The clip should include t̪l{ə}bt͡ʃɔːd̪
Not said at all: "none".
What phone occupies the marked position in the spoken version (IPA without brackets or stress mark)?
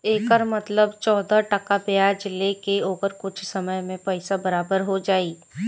ə